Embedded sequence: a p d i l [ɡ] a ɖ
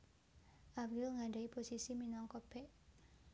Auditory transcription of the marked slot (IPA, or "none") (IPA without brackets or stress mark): ŋ